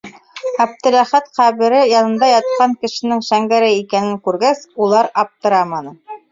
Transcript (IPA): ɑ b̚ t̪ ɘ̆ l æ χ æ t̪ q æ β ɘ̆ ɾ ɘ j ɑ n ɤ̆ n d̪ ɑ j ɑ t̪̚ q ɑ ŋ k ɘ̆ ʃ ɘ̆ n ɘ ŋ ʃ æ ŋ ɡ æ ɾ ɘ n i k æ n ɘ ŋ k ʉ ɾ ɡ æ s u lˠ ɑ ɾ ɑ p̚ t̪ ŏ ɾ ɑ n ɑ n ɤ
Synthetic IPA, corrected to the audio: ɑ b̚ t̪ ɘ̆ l æ χ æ t̪ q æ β ɘ̆ ɾ ɘ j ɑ n ɤ̆ n d̪ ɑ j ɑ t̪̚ q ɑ ŋ k ɘ̆ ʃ ɘ̆ n ɘ ŋ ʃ æ ŋ ɡ æ ɾ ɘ i k æ n ɘ ŋ k ʉ ɾ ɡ æ s u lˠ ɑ ɾ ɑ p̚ t̪ ɤ̆ ɾ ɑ m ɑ n ɤ